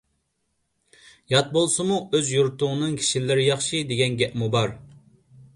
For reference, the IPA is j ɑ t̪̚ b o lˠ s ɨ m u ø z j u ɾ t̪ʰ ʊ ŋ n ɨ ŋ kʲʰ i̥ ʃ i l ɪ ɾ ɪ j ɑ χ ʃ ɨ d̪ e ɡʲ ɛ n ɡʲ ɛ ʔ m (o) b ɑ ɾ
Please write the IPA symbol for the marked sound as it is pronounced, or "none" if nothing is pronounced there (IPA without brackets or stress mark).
u